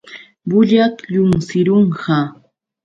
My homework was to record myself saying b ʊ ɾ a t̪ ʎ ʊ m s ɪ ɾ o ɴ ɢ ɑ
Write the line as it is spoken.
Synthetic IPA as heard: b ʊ ʎ a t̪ ʎ ʊ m s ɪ ɾ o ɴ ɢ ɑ